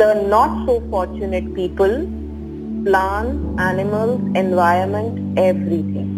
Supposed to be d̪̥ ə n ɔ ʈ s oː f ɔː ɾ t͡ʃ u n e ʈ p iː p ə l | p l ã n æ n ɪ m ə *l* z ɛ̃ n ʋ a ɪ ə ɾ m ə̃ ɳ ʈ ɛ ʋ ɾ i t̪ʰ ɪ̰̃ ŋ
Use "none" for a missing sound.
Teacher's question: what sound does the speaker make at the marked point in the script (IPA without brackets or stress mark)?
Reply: l